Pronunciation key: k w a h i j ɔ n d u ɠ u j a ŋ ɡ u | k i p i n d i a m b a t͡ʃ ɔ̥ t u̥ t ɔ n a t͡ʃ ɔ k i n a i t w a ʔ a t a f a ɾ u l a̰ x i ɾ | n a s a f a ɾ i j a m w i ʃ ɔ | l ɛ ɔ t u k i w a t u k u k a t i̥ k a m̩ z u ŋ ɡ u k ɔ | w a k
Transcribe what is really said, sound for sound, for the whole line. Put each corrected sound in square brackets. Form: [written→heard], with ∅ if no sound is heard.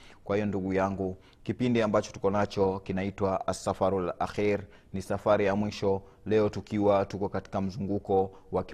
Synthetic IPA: k w a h i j ɔ n d u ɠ u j a ŋ ɡ u | k i p i n d i a m b a t͡ʃ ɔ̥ t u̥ [t→k] ɔ n a t͡ʃ ɔ k i n a i t w a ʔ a [t→s] a f a ɾ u l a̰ x i ɾ | n [a→i] s a f a ɾ i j a m w i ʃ ɔ | l ɛ ɔ t u k i w a t u k [u→ɔ] k a t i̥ k a m̩ z u ŋ ɡ u k ɔ | w a k